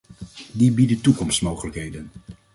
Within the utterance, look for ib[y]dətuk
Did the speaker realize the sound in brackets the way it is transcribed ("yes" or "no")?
no